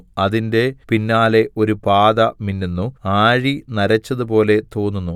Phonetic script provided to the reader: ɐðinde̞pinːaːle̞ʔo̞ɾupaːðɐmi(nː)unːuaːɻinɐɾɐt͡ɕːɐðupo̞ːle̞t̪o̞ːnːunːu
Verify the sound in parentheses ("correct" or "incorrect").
correct